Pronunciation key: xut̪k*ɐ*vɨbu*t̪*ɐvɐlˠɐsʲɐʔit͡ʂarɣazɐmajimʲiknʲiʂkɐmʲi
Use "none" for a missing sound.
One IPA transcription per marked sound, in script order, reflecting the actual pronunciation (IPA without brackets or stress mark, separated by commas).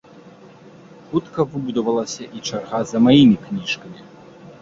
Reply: ɐ, d̪